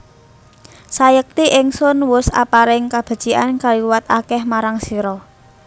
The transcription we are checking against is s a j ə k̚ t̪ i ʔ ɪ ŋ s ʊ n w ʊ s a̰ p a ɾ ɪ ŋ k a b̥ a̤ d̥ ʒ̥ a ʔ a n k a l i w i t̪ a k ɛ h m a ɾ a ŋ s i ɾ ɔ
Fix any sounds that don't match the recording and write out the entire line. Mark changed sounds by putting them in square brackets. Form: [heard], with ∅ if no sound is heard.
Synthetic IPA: s a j ə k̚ t̪ i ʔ ɪ ŋ s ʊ n w ʊ s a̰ p a ɾ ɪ ŋ k a b̥ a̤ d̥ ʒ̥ [i] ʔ a n k a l i w [a] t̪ a k ɛ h m a ɾ a ŋ s i ɾ ɔ